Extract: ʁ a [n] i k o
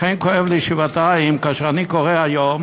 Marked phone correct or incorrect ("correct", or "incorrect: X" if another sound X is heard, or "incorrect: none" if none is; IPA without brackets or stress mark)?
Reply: correct